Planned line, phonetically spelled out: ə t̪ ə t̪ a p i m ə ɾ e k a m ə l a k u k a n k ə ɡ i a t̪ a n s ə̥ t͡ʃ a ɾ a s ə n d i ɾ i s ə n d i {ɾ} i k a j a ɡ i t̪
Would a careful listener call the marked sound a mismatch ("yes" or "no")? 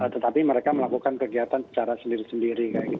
no